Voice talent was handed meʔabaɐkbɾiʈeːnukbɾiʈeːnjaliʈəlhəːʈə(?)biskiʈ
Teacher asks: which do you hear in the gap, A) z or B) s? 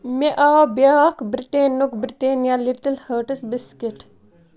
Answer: B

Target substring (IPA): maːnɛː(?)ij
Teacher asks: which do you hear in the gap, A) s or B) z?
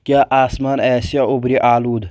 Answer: A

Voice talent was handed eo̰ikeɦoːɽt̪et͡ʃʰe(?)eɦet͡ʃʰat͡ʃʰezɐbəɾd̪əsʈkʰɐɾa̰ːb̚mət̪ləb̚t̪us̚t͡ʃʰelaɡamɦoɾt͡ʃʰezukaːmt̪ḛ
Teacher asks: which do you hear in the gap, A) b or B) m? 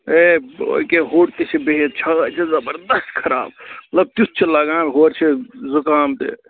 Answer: A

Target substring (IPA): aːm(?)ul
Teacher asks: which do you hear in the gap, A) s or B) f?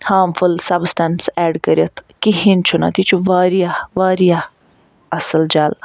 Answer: B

